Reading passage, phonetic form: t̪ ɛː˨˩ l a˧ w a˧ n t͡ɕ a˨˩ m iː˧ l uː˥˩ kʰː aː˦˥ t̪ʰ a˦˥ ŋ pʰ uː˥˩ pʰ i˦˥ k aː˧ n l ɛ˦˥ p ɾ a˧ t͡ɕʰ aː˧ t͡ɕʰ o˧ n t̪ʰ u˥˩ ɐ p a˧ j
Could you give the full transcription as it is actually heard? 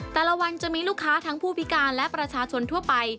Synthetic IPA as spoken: t̪ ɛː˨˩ l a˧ w a˧ n t͡ɕ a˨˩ m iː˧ l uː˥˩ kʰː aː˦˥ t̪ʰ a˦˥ ŋ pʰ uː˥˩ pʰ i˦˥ k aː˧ n l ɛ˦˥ p ɾ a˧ t͡ɕʰ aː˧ t͡ɕʰ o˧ n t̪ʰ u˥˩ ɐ p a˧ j